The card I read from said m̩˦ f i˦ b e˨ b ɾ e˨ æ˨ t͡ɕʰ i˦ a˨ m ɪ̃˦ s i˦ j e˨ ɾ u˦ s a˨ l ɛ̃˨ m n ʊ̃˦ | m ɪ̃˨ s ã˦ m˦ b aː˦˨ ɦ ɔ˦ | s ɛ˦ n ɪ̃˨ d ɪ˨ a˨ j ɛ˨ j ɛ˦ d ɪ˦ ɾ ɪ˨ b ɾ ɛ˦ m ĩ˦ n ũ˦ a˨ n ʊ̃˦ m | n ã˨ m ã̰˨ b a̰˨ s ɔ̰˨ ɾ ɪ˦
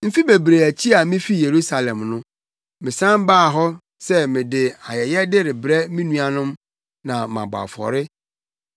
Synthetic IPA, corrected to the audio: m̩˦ f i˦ b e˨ b ɾ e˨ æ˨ t͡ɕʰ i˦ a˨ m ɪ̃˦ f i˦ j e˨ ɾ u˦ s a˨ l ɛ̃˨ m n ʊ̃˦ | m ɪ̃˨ s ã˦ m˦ b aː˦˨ ɦ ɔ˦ | s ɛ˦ m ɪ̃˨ d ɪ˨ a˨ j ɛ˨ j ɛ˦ d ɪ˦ ɾ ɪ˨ b ɾ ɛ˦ m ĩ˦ n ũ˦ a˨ n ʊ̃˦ m | n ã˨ m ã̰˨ b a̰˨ f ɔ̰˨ ɾ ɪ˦